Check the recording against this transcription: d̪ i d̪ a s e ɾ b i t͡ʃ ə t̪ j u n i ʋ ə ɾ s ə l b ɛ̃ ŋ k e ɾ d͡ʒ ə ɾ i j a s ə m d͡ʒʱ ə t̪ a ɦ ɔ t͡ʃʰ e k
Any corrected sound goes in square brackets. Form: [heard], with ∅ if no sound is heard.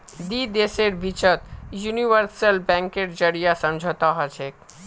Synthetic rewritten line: d̪ i d̪ [e] s e ɾ b i t͡ʃ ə t̪ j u n i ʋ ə ɾ s ə l b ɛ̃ ŋ k e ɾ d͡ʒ ə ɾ i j a s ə m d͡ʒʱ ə t̪ a ɦ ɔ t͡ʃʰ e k